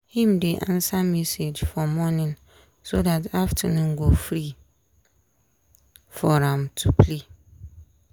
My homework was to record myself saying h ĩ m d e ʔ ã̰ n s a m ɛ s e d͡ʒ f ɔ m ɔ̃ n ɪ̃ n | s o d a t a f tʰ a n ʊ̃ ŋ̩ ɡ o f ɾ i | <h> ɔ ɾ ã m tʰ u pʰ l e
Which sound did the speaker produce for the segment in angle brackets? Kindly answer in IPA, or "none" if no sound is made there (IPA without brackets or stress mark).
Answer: f